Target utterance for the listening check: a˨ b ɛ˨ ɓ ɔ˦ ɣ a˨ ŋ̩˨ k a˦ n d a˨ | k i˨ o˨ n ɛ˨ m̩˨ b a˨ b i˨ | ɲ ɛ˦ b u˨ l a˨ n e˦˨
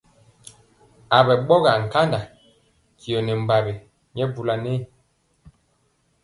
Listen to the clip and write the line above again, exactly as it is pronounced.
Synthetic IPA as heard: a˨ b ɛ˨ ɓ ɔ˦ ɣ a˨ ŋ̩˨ k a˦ n d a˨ | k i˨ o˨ n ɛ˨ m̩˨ b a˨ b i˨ | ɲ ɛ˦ b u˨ l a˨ n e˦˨